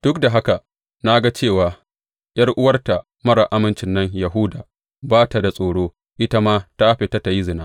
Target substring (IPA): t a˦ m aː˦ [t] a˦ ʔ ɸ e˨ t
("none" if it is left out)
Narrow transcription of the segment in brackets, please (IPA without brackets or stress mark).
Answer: t